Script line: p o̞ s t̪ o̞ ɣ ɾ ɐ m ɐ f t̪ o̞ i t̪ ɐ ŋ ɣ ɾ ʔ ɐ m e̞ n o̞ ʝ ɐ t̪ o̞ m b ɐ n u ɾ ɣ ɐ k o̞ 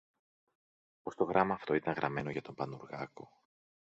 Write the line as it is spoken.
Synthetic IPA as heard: p o̞ s t̪ o̞ ɣ ɾ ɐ m ɐː f t̪ o̞ i t̪ ɐ ŋ ɣ ɾ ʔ ɐ m e̞ n o̞ ʝ ɐ t̪ o̞ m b ɐ n u ɾ ɣ ɐ k o̞